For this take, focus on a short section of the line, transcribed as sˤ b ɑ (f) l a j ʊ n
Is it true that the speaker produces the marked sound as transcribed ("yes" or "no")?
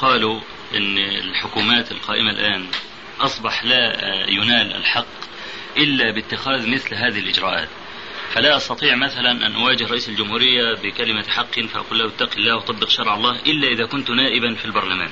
no